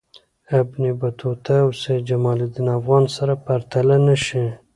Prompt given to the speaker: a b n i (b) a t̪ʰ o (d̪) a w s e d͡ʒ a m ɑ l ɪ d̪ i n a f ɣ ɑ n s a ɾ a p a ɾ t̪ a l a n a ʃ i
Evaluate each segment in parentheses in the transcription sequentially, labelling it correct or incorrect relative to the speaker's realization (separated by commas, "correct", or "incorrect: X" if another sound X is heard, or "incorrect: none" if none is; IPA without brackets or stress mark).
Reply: correct, incorrect: t̪